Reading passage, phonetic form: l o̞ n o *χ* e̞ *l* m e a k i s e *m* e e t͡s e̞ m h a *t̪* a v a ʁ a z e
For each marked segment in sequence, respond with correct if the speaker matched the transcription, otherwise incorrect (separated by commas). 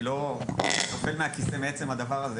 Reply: incorrect, correct, correct, incorrect